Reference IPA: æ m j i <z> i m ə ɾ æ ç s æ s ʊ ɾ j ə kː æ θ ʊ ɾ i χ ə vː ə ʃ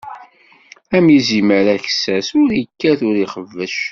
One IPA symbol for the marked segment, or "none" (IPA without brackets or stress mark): z